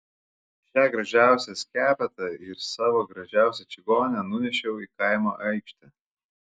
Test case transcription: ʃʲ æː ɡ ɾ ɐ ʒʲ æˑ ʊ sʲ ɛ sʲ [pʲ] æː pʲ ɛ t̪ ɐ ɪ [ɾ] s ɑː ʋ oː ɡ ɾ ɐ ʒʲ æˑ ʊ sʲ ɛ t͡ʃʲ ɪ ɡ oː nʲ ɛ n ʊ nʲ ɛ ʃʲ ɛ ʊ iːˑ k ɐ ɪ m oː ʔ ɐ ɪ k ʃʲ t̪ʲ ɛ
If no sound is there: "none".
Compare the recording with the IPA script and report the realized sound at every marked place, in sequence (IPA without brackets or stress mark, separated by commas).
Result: kʲ, ɾ